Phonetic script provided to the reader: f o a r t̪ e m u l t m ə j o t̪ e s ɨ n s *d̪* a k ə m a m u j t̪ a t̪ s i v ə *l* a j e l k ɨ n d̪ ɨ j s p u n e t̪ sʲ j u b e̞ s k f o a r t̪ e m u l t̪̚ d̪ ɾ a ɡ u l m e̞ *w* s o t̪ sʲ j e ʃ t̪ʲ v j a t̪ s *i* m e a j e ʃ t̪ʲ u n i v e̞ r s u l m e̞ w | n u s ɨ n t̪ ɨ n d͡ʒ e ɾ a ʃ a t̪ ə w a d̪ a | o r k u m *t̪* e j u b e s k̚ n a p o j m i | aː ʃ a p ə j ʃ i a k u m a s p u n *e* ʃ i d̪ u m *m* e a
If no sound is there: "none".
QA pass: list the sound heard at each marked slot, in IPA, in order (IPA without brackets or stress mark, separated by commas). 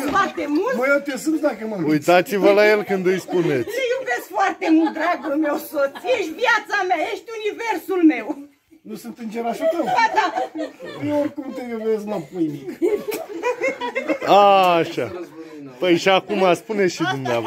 d̪, l, w, a, t̪, e, n